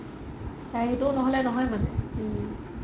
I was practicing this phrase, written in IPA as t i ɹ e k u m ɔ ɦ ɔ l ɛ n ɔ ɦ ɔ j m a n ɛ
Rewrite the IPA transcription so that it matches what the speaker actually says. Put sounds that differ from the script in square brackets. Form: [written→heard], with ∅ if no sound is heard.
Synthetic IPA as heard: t [i→a] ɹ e [k→t] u [m→n] ɔ ɦ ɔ l ɛ n ɔ ɦ ɔ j m a n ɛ